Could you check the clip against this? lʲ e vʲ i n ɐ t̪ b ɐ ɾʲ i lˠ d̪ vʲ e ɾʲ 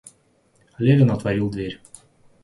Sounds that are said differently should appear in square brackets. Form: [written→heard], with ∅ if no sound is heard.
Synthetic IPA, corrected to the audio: lʲ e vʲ [i→ɪ] n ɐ t̪ [b→v] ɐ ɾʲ i lˠ d̪ vʲ e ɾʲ